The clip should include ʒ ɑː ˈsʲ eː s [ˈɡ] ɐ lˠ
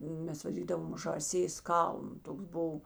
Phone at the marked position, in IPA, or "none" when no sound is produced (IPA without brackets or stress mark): k